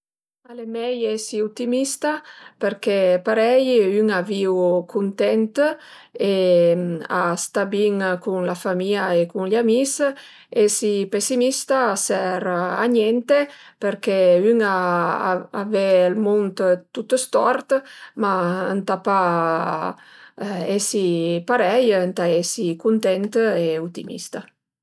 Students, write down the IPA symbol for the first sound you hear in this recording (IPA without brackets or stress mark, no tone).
a